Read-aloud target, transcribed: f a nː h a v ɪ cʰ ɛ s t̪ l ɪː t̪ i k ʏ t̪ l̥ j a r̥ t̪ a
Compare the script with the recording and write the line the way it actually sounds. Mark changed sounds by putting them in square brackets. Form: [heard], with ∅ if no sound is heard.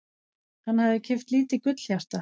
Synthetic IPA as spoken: [h] a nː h a [ð] ɪ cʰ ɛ [f] t̪ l [iː] t̪ [ɪ] k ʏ t̪ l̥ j a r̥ t̪ a